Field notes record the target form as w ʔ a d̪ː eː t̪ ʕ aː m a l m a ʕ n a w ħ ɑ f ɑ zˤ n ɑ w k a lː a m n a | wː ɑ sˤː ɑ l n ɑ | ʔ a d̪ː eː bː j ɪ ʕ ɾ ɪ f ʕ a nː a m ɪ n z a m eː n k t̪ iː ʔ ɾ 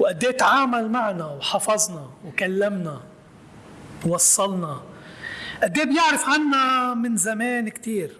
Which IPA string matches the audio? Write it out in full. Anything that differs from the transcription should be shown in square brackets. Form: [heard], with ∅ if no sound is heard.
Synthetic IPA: w ʔ a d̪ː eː t̪ ʕ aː m a l m a ʕ n a w ħ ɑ f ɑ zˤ n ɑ w k a lː a m n a | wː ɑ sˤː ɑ l n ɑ | ʔ a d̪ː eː [b] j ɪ ʕ ɾ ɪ f ʕ a nː a m ɪ n z a m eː n k t̪ iː [∅] ɾ